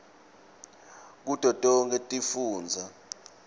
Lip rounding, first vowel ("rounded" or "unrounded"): rounded